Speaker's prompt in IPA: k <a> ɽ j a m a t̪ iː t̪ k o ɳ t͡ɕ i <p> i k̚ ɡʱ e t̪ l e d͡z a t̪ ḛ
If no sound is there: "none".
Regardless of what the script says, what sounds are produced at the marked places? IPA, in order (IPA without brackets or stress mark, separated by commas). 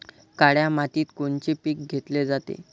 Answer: a, p